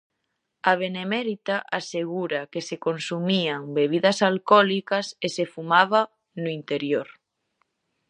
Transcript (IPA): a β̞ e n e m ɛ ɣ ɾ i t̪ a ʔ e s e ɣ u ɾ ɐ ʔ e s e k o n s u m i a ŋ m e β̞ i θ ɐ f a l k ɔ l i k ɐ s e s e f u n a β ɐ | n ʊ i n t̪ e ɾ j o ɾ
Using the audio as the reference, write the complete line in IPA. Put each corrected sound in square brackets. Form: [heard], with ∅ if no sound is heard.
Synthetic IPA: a β̞ e n e m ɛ [∅] ɾ i t̪ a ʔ [a] s e ɣ u ɾ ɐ [k] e s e k o n s u m i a ŋ [b] e β̞ i [ð] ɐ [s] a l k ɔ l i k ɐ s e s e f u [m] a β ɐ | n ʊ i n t̪ e ɾ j o ɾ